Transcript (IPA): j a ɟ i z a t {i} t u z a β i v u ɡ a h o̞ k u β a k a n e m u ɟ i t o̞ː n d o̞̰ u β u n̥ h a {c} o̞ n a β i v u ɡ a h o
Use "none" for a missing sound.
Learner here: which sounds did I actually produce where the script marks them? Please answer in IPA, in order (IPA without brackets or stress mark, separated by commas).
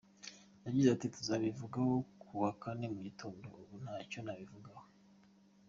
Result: i, c